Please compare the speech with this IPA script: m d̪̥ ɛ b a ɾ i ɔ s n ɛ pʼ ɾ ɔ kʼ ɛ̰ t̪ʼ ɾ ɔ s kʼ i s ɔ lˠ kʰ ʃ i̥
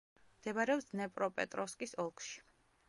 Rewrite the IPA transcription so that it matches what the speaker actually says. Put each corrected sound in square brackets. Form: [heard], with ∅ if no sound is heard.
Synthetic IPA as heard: m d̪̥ ɛ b a ɾ [ɛ] ɔ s n ɛ pʼ ɾ ɔ [pʼ] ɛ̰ t̪ʼ ɾ ɔ s kʼ i s ɔ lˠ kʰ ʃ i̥